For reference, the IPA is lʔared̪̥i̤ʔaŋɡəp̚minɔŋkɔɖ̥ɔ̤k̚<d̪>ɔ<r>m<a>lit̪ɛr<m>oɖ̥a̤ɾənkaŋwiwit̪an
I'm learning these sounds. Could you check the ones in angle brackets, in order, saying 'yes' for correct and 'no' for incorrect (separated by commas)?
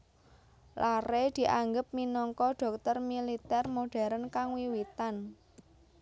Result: no, yes, no, yes